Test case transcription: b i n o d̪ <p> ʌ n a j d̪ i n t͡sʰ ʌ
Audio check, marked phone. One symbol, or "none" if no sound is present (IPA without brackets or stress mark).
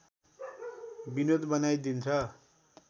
b